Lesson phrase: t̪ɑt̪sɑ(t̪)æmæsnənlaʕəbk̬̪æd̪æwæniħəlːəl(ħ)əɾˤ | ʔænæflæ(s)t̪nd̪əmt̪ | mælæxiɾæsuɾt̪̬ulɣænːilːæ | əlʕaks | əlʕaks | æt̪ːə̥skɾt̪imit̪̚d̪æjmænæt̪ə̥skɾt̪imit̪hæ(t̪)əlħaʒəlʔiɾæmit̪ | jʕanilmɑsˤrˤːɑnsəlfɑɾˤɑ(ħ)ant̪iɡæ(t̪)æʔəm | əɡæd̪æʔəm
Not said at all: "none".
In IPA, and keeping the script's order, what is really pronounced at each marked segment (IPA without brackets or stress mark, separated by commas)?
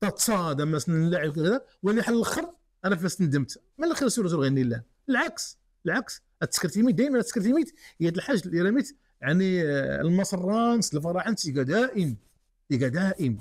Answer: d̪, x, s, d̪, ħ, d̪